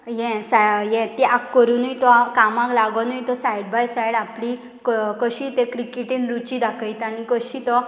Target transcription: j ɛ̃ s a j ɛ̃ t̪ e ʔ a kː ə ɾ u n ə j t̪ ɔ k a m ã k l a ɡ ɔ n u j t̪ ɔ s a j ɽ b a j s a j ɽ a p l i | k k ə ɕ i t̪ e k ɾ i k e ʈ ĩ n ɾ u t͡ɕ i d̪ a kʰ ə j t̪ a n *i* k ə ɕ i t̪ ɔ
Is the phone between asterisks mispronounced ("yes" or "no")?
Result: no